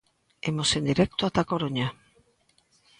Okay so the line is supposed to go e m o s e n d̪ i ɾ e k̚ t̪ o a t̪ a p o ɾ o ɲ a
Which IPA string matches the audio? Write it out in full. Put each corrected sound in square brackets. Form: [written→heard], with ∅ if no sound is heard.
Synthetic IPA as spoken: e m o s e n d̪ i ɾ e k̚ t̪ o a t̪ a [p→k] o ɾ o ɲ a